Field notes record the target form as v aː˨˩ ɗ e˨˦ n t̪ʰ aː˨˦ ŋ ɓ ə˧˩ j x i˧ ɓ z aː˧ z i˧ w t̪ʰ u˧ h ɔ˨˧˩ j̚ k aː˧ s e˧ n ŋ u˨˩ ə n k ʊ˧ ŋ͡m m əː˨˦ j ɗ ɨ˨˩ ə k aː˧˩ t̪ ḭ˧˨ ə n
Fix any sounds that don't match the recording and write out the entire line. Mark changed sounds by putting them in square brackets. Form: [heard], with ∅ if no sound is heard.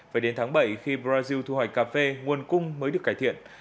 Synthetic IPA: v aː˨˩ ɗ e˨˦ n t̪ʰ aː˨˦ ŋ ɓ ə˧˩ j x i˧ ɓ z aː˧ z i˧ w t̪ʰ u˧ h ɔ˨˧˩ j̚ k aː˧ [f] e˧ [∅] ŋ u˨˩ ə n k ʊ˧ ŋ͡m m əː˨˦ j ɗ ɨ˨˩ ə k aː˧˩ t̪ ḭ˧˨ ə n